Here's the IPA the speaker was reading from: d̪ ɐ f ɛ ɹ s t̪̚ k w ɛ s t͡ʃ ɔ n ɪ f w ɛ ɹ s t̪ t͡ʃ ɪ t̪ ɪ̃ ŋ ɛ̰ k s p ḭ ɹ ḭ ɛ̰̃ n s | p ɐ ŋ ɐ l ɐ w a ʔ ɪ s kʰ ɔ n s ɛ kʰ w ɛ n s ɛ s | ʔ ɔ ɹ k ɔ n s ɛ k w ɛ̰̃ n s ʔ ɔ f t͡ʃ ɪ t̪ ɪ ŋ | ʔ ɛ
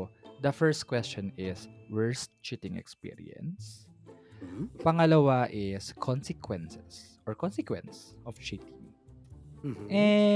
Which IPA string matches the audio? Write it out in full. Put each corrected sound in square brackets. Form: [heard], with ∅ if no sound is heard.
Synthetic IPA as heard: d̪ ɐ f ɛ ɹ s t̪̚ k w ɛ s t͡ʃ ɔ n ɪ [s] w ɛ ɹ s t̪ t͡ʃ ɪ t̪ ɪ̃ ŋ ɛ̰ k s p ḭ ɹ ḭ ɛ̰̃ n s | p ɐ ŋ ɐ l ɐ w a ʔ ɪ s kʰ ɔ n s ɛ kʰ w ɛ n s ɛ s | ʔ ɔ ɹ k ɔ n s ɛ k w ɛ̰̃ n s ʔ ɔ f t͡ʃ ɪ t̪ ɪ ŋ | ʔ ɛ